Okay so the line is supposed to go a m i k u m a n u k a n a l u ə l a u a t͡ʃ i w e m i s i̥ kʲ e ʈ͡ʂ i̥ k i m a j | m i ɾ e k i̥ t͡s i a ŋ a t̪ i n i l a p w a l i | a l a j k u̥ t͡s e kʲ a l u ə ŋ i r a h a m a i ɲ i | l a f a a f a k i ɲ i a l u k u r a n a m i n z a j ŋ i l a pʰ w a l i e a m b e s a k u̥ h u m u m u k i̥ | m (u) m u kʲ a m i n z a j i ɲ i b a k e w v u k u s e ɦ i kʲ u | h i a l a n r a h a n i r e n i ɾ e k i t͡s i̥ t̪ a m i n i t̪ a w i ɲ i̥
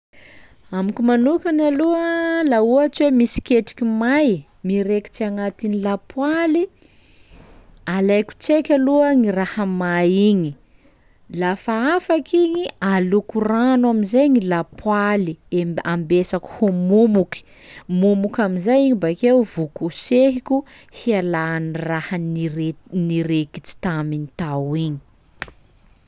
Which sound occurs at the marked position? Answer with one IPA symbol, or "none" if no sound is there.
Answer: u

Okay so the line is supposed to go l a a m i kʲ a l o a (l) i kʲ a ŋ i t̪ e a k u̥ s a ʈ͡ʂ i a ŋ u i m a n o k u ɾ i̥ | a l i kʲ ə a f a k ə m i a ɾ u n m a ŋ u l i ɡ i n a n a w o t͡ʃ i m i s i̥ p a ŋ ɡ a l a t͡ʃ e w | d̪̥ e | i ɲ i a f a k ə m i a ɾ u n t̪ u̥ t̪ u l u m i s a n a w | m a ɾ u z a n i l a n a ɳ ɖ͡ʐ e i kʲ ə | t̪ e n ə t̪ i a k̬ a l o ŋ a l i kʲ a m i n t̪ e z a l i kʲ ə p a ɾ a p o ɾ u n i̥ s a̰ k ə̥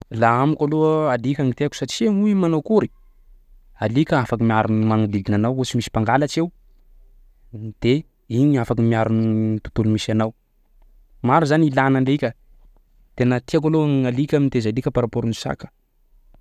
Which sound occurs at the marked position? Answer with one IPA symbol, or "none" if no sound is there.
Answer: l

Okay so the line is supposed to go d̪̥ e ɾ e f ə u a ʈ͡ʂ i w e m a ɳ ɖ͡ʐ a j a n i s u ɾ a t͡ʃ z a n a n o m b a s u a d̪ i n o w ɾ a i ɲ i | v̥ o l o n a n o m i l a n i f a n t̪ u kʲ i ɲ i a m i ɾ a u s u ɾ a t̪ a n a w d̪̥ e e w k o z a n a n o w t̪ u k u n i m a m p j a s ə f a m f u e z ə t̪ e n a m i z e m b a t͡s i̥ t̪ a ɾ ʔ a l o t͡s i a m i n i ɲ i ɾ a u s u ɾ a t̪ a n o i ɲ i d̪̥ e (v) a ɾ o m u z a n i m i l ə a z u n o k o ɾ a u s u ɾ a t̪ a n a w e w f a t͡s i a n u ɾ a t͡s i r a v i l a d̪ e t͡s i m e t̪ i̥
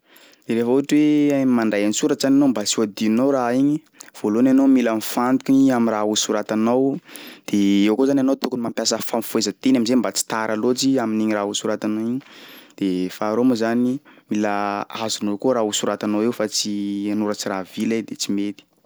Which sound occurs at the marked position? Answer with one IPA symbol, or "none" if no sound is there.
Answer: f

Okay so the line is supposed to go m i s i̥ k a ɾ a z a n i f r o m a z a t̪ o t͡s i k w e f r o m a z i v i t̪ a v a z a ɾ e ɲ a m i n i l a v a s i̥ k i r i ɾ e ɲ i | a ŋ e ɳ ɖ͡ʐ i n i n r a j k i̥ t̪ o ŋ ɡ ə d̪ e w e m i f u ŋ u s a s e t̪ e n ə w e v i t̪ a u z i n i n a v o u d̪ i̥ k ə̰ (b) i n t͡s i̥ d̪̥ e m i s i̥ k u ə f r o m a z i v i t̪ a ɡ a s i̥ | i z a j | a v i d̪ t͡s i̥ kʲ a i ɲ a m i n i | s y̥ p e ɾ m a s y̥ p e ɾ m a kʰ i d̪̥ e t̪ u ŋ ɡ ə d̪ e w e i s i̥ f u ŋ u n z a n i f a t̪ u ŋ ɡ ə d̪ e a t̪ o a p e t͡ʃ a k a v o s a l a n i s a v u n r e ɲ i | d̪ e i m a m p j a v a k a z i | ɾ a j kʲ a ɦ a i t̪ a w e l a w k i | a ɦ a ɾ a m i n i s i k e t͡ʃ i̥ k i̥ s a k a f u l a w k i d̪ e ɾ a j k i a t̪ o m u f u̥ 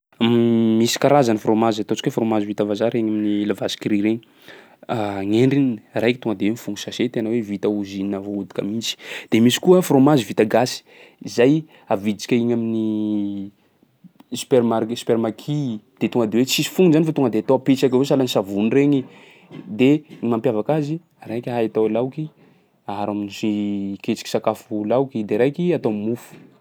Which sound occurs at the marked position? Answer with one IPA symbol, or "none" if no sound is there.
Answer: m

